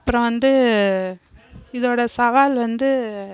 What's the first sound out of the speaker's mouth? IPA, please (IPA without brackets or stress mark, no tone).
ɐ